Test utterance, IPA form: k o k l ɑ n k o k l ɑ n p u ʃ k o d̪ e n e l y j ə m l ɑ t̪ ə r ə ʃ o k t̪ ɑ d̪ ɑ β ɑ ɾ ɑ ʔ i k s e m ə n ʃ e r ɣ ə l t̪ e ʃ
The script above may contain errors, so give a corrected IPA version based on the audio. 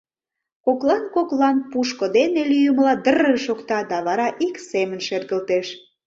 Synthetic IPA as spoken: k o k l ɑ n k o k l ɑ n p u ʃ k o d̪ e n e l y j ə m l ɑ d̪ ə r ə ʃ o k t̪ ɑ d̪ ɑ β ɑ ɾ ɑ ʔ i k s e m ə n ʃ e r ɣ ə l t̪ e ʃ

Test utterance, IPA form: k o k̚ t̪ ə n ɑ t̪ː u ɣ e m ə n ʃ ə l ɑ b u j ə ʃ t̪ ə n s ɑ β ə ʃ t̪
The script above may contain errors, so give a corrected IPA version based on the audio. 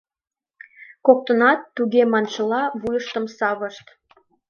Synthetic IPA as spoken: k o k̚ t̪ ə n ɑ t̪ː u ɣ e m ɑ n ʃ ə l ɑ β u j ə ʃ t̪ ə m s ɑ β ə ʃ t̪

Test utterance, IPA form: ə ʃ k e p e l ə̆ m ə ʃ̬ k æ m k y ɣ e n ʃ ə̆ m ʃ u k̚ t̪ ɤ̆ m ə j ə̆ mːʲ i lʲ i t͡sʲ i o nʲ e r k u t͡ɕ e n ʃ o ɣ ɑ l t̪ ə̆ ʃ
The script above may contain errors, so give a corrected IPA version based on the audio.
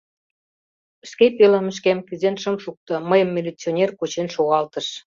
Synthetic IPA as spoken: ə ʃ k e p e l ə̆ m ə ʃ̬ k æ m k y z e n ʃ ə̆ m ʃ u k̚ t̪ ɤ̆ m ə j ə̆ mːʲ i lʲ i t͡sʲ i o nʲ e r k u t͡ɕ e n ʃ o ɣ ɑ l t̪ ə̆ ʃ

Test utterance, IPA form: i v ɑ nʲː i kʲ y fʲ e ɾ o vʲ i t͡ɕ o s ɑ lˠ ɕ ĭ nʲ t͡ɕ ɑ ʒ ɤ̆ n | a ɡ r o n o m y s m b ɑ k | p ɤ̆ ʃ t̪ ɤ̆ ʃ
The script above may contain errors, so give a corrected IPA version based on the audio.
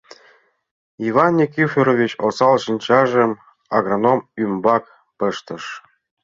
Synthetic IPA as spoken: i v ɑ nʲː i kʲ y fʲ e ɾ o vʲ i t͡ɕ o s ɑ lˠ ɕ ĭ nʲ t͡ɕ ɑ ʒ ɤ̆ m | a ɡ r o n o m y m b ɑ k | p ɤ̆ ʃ t̪ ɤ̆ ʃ

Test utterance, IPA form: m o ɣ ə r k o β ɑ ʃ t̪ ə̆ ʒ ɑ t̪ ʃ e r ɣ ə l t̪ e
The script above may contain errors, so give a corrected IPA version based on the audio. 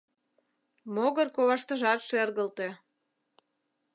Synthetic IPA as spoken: m o ɣ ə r k o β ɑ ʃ t̪ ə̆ ʒ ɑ t̪ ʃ e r ɣ ə l t̪ e

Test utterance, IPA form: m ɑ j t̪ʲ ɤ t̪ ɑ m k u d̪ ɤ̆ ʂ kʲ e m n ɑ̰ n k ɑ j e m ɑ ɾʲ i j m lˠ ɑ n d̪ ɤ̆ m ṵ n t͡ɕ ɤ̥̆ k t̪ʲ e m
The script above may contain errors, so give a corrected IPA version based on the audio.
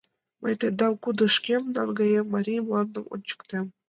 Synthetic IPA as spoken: m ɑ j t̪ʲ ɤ d̪ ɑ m k u d̪ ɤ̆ ʂ kʲ e m n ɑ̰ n ɡ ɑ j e m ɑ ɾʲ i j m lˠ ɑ n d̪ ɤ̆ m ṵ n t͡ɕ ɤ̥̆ k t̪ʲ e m

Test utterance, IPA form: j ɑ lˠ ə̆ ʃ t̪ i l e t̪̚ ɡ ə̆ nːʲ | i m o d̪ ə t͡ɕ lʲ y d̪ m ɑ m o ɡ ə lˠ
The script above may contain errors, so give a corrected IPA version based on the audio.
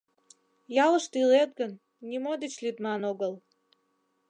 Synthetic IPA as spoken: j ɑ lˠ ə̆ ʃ t̪ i l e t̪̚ ɡ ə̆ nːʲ | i m o d̪ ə t͡ɕ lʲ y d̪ m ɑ n o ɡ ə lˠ

